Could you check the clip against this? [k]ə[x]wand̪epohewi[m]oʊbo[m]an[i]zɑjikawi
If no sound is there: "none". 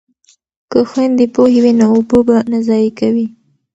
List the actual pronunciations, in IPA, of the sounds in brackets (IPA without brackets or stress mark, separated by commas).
k, x, n, b, a